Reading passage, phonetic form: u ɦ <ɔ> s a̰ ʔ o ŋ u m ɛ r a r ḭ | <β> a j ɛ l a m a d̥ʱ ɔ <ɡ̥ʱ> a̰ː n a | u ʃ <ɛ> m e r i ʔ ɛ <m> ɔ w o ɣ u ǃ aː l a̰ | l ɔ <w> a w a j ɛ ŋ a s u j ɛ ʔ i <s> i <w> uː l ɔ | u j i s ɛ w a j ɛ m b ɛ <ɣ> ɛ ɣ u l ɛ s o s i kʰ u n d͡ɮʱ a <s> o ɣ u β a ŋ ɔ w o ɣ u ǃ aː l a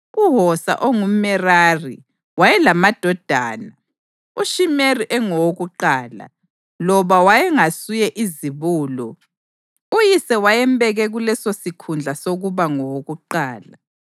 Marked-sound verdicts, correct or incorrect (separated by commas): correct, incorrect, incorrect, incorrect, incorrect, incorrect, incorrect, incorrect, correct, correct